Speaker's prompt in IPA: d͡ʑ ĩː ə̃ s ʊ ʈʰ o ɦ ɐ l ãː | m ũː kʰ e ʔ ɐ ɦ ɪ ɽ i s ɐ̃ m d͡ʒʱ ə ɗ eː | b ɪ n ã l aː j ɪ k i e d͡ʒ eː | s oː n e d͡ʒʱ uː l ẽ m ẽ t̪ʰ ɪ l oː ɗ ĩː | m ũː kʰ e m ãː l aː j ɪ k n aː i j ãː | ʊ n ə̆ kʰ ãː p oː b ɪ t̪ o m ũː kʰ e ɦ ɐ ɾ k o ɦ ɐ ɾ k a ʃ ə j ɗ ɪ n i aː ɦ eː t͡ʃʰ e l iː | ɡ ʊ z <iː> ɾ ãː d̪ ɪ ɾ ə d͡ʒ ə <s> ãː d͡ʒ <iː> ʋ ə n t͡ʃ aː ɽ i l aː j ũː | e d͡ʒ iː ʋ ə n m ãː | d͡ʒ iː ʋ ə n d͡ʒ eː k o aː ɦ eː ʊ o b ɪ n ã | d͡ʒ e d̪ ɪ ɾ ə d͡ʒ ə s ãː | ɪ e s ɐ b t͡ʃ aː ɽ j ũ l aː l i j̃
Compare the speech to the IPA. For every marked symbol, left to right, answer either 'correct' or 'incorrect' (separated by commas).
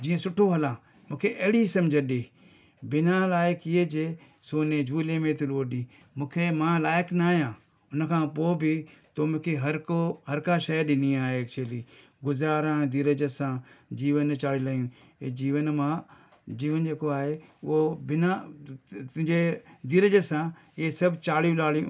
incorrect, correct, correct